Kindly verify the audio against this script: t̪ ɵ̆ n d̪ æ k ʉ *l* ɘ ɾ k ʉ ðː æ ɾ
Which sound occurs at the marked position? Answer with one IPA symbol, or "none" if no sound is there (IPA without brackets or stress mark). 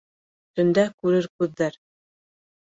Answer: ɾ